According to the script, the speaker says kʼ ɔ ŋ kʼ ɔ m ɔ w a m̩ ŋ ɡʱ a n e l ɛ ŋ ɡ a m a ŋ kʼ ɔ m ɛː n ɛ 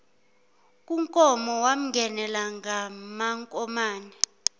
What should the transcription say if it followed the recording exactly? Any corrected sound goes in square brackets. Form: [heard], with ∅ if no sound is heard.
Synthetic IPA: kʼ [u] ŋ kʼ ɔ m ɔ w a m̩ ŋ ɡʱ [ɛ] n [ɛ] l [a] ŋ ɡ a m a ŋ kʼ ɔ m [aː] n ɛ

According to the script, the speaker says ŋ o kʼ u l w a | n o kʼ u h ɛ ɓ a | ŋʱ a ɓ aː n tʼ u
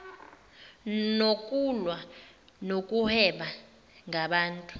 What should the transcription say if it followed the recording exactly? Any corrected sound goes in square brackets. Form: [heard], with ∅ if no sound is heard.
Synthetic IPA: [n] o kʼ u l w a | n o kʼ u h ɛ ɓ a | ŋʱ a ɓ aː n tʼ u

